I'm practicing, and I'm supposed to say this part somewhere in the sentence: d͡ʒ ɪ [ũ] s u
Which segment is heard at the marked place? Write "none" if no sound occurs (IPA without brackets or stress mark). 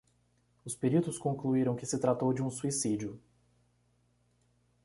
ũ